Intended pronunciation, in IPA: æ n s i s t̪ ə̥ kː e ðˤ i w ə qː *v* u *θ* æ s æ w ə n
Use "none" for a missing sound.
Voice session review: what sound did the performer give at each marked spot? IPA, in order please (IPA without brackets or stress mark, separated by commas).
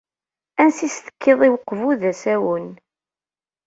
v, ð